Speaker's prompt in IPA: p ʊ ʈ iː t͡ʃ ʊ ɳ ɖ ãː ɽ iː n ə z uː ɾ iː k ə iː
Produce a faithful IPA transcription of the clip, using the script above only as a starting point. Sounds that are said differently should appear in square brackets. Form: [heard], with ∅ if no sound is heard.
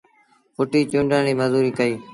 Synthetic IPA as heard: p ʊ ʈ iː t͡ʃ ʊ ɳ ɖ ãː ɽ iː [m] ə z uː ɾ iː k ə iː